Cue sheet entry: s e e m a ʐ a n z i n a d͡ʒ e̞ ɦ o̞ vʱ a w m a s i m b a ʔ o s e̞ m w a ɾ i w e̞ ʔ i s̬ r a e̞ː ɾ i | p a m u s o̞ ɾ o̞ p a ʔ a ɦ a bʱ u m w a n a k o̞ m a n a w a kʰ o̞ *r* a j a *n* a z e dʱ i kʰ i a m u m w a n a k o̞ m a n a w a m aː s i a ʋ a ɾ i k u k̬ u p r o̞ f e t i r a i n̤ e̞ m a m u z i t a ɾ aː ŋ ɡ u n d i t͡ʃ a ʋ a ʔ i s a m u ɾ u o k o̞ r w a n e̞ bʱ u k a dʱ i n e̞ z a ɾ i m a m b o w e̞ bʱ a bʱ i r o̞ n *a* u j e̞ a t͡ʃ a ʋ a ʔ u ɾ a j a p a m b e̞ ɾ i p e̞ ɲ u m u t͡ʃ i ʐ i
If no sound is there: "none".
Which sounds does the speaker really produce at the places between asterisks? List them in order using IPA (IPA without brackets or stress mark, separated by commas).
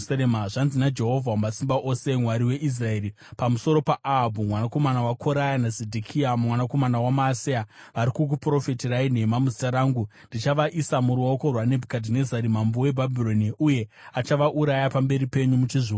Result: ɾ, n, i